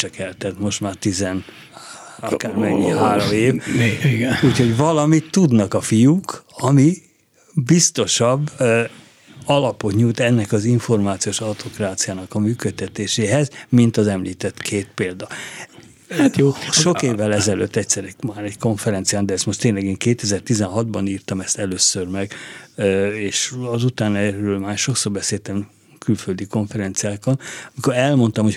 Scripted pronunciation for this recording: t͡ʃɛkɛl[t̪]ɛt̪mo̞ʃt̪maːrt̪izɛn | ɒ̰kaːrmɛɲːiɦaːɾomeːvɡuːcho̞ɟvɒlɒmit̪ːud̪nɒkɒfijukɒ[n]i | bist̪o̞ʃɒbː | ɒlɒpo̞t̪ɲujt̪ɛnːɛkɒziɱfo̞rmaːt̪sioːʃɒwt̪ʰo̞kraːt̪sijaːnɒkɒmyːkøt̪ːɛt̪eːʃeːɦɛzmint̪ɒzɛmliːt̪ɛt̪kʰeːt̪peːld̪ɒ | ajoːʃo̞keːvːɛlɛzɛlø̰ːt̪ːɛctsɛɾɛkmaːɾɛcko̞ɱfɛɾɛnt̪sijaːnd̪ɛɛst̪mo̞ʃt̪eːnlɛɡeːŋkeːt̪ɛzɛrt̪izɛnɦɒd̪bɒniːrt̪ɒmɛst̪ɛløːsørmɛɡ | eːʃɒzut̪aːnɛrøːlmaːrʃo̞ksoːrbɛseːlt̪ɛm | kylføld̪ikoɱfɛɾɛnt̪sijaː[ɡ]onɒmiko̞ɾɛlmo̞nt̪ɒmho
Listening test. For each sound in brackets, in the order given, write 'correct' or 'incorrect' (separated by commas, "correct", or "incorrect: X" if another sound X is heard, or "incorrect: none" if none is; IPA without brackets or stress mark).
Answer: correct, incorrect: m, incorrect: k